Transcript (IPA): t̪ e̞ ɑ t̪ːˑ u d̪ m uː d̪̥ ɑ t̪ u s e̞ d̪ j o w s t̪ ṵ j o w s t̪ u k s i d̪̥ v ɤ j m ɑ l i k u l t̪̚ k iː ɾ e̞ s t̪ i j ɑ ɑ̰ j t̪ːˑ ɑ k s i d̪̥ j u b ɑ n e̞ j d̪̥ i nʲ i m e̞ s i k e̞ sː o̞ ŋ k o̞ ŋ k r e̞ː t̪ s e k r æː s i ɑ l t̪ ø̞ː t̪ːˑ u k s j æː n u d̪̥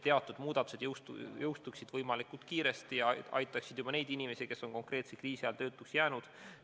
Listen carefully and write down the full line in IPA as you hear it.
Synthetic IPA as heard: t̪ e̞ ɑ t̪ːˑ u d̪ m uː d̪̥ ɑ t̪ u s e̞ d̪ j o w s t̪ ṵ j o w s t̪ u k s i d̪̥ v ɤ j m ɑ l i k u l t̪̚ k iː ɾ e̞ s t̪ i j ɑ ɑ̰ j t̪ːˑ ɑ k s i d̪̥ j u b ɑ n e̞ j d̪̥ i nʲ i m e̞ s i k e̞ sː o̞ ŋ k o̞ ŋ k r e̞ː t̪ s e k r iː s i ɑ l t̪ ø̞ː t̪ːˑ u k s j æː n u d̪̥